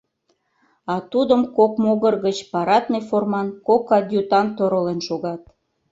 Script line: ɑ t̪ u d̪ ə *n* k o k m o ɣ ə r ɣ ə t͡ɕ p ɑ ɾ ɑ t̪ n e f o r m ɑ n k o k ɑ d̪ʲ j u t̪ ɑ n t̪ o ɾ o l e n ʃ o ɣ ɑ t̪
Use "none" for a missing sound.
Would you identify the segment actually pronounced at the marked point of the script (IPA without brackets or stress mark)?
m